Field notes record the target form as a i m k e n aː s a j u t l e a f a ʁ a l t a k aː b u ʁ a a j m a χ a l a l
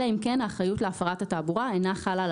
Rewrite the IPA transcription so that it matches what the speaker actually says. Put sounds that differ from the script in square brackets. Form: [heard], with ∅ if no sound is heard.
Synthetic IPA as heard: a i m k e n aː [χ] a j u t l e a f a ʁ a [∅] t a [t] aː b u ʁ a [e] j [n] a χ a l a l